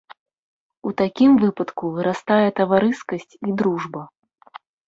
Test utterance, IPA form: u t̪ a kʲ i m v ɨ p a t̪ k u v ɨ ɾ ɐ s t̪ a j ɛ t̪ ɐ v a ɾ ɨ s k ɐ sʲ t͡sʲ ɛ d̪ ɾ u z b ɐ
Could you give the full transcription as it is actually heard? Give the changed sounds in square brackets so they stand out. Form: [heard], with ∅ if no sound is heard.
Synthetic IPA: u t̪ a kʲ i m v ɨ p [ɐ] t̪ k u v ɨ ɾ [a] s t̪ a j ɛ t̪ ɐ v a ɾ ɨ s k ɐ sʲ t͡sʲ [i] d̪ ɾ u [ʐ] b ɐ